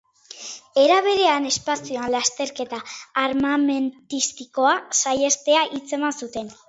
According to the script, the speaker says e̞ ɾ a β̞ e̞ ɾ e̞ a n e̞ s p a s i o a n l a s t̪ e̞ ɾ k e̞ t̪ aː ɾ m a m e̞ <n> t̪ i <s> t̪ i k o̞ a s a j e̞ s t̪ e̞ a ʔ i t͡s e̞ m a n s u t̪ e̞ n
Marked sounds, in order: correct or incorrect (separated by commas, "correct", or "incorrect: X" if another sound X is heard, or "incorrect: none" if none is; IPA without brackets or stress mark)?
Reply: correct, correct